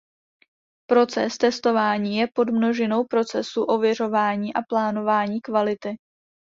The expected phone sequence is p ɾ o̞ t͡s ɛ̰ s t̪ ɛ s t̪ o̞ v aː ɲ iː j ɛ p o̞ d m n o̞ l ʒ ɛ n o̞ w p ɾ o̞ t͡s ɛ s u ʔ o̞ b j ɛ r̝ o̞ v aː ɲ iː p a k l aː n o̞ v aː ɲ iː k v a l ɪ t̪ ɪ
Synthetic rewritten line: p ɾ o̞ t͡s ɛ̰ s t̪ ɛ s t̪ o̞ v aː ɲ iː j ɛ p o̞ d m n o̞ ʒ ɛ n o̞ w p ɾ o̞ t͡s ɛ s u ʔ o̞ v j ɛ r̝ o̞ v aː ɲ iː ʔ a p l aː n o̞ v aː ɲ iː k v a l ɪ t̪ ɪ

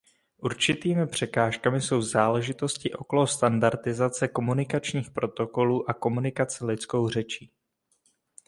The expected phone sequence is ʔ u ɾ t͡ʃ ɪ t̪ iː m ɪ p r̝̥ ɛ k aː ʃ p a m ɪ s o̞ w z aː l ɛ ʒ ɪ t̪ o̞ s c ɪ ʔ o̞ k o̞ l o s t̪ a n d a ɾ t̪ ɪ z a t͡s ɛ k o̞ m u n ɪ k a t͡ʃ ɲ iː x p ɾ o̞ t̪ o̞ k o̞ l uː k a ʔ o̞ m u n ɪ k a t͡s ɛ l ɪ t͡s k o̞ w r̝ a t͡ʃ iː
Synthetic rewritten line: ʔ u ɾ t͡ʃ ɪ t̪ iː m ɪ p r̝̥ ɛ k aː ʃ k a m ɪ s o̞ w z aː l ɛ ʒ ɪ t̪ o̞ s c ɪ ʔ o̞ k o̞ l o s t̪ a n d a ɾ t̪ ɪ z a t͡s ɛ k o̞ m u n ɪ k a t͡ʃ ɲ iː x p ɾ o̞ t̪ o̞ k o̞ l uː ʔ a k o̞ m u n ɪ k a t͡s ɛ l ɪ t͡s k o̞ w r̝ ɛ t͡ʃ iː

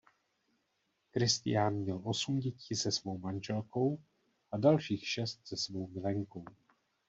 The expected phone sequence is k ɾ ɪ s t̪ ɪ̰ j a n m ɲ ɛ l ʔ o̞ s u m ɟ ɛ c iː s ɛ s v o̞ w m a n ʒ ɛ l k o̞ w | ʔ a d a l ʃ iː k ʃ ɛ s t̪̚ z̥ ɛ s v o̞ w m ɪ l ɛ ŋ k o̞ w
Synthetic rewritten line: k ɾ ɪ s t̪ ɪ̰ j a n m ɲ ɛ l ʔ o̞ s u m ɟ ɛ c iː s ɛ s v o̞ w m a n ʒ ɛ l k o̞ w | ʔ a d a l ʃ iː x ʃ ɛ s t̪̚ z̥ ɛ s v o̞ w m ɪ l ɛ ŋ k o̞ w

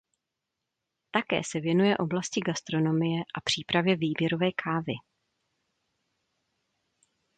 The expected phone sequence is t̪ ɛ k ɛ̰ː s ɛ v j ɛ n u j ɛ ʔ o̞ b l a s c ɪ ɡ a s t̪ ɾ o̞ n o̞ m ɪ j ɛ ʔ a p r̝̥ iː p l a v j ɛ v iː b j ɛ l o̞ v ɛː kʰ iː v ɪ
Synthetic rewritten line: t̪ a k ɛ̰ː s ɛ v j ɛ n u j ɛ ʔ o̞ b l a s c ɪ ɡ a s t̪ ɾ o̞ n o̞ m ɪ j ɛ ʔ a p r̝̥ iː p ɾ a v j ɛ v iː b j ɛ ɾ o̞ v ɛː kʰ aː v ɪ

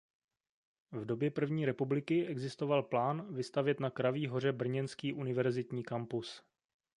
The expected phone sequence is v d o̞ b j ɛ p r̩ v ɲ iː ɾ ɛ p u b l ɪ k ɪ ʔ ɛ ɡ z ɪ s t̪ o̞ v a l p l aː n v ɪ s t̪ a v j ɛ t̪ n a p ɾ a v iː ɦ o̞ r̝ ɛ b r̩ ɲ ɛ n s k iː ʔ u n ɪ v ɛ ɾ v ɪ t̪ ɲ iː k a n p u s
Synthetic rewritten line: v d o̞ b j ɛ p r̩ v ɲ iː ɾ ɛ p u b l ɪ k ɪ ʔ ɛ ɡ z ɪ s t̪ o̞ v a l p l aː n v ɪ s t̪ a v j ɛ t̪ n a k ɾ a v iː ɦ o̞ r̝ ɛ b r̩ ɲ ɛ n s k iː ʔ u n ɪ v ɛ ɾ z ɪ t̪ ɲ iː k a m p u s

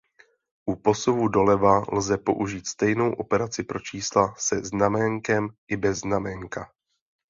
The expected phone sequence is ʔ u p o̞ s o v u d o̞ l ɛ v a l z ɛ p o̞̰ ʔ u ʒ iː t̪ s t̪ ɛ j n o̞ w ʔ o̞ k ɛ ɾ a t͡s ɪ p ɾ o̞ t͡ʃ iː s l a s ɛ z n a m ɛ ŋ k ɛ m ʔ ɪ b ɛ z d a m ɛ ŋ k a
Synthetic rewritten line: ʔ u p o̞ s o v u d o̞ l ɛ v a l z ɛ p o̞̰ ʔ u ʒ iː t̪ s t̪ ɛ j n o̞ w ʔ o̞ p ɛ ɾ a t͡s ɪ p ɾ o̞ t͡ʃ iː s l a s ɛ z n a m ɛ ŋ k ɛ m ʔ ɪ b ɛ z n a m ɛ ŋ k a

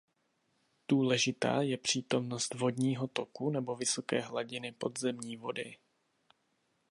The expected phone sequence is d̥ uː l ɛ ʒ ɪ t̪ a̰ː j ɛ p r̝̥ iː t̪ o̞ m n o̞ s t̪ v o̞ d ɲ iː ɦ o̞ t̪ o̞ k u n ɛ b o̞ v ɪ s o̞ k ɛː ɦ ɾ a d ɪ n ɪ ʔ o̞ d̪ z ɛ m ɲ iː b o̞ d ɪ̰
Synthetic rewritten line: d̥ uː l ɛ ʒ ɪ t̪ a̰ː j ɛ p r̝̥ iː t̪ o̞ m n o̞ s t̪ v o̞ d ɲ iː ɦ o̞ t̪ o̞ k u n ɛ b o̞ v ɪ s o̞ k ɛː ɦ l a ɟ ɪ n ɪ p o̞ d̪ z ɛ m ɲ iː v o̞ d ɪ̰

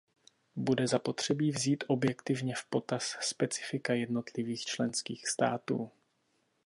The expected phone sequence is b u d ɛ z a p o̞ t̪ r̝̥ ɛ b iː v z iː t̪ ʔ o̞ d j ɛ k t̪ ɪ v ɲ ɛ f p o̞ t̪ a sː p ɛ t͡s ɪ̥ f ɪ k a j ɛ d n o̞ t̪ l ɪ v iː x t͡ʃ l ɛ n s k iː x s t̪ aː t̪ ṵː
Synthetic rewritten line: b u d ɛ z a p o̞ t̪ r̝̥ ɛ b iː v z iː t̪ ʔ o̞ b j ɛ k t̪ ɪ v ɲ ɛ f p o̞ t̪ a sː p ɛ t͡s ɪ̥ f ɪ k a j ɛ d n o̞ t̪ l ɪ v iː x t͡ʃ l ɛ n s k iː x s t̪ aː t̪ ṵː

